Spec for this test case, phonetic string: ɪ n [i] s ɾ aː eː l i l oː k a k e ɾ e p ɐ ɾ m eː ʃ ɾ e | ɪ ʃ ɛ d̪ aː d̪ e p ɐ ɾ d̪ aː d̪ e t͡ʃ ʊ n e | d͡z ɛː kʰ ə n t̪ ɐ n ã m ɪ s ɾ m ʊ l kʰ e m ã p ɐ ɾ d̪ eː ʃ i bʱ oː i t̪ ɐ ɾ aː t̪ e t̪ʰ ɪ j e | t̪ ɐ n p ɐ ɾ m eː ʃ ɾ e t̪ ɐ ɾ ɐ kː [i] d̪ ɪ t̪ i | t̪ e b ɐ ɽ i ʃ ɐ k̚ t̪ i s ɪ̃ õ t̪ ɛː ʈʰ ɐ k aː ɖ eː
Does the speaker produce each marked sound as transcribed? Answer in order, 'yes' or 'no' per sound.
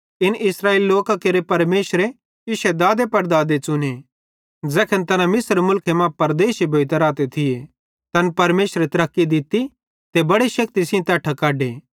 no, yes

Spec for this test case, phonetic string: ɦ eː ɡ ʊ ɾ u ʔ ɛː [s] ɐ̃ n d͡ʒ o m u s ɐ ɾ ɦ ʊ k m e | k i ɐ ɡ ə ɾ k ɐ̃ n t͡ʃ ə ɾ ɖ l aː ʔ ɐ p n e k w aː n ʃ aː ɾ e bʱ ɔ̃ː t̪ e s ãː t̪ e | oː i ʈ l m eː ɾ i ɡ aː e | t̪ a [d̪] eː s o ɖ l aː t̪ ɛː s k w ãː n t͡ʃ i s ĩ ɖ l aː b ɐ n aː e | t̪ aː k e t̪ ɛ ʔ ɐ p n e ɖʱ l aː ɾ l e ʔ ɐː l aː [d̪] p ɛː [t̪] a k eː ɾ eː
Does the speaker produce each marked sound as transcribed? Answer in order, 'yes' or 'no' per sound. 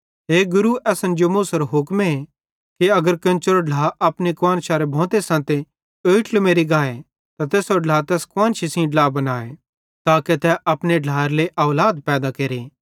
yes, no, yes, no

